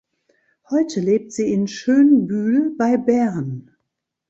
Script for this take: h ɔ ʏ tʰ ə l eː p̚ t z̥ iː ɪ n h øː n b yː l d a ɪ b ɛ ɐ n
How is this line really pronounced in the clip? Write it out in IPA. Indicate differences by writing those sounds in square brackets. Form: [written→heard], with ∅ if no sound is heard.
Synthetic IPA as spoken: h ɔ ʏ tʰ ə l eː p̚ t z̥ iː ɪ n [h→ʃ] øː n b yː l [d→b] a ɪ b ɛ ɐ n